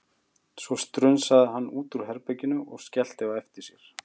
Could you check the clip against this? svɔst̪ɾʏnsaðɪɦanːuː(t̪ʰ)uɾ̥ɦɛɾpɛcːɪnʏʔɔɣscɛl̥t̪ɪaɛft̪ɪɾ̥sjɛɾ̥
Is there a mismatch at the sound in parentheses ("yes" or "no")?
yes